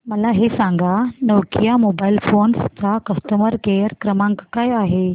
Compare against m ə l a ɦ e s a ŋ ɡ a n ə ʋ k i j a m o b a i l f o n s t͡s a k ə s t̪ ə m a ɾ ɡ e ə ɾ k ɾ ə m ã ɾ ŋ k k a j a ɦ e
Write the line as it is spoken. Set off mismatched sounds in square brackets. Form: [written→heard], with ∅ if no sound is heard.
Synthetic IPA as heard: m ə l a ɦ e s a ŋ ɡ a n ə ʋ k i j a m o b a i l f o n s t͡s a k ə s t̪ ə m [a→ə] ɾ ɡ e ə ɾ k ɾ ə m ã [ɾ→∅] ŋ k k a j a ɦ e